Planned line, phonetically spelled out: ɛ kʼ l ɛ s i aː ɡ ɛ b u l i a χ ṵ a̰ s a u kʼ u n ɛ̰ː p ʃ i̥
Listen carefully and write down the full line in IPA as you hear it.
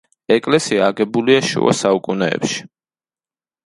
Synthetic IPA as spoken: ɛ kʼ l ɛ s i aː ɡ ɛ b u l i a ʃ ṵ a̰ s a u kʼ u n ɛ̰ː p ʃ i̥